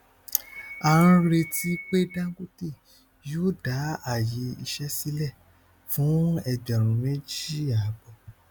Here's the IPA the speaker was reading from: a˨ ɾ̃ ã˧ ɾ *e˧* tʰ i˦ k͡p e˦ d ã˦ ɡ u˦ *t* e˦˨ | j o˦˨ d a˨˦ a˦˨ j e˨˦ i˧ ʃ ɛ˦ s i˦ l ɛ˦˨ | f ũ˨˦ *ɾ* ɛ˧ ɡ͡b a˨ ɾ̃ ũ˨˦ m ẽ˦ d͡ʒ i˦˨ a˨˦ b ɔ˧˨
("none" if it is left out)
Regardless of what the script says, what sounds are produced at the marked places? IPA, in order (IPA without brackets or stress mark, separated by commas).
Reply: e˧, t, none